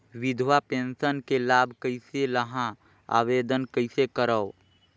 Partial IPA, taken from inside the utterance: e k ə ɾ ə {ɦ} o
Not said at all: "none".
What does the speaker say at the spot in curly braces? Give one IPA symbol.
none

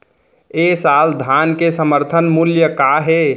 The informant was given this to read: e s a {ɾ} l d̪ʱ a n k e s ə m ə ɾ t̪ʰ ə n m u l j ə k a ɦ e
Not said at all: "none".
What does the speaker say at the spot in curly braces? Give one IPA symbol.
none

